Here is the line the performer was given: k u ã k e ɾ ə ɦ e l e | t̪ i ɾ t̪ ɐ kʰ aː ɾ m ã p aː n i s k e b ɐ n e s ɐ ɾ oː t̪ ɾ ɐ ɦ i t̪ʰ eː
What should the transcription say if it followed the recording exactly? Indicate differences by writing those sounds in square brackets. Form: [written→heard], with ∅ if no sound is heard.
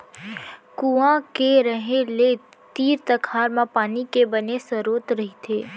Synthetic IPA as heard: k u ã k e ɾ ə ɦ e l e | t̪ [i→iː] ɾ t̪ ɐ kʰ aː ɾ m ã p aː n i [s→∅] k e b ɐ n e s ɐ ɾ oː t̪ ɾ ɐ ɦ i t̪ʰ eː